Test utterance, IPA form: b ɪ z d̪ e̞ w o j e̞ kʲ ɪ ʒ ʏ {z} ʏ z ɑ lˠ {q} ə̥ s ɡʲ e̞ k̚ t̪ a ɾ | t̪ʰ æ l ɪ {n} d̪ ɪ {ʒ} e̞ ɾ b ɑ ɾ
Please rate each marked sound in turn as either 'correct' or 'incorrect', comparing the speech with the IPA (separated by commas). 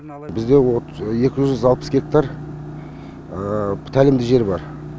incorrect, incorrect, incorrect, correct